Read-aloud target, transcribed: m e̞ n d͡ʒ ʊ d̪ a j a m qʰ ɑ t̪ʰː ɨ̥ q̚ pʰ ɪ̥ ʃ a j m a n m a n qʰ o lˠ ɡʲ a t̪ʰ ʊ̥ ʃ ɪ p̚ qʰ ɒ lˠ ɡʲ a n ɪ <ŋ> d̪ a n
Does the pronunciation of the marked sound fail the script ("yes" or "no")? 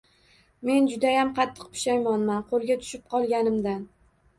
yes